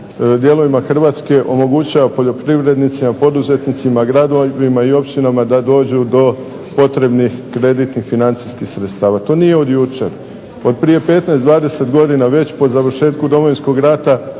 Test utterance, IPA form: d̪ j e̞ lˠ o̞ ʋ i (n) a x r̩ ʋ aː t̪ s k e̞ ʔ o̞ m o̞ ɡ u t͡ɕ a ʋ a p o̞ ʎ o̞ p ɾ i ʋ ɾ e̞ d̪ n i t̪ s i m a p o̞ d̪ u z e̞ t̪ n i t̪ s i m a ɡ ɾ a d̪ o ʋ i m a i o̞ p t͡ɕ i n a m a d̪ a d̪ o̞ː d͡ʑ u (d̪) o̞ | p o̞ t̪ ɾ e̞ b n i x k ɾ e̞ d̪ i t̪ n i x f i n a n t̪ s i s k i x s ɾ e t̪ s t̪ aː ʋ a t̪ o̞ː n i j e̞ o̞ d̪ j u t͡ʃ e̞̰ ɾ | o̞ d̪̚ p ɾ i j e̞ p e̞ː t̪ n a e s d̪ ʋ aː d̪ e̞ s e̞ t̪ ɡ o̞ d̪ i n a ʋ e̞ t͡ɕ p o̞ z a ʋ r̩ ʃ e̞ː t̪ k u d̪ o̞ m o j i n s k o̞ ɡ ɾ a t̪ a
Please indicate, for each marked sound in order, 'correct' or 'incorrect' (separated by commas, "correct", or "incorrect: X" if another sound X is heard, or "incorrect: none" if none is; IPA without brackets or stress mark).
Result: incorrect: m, correct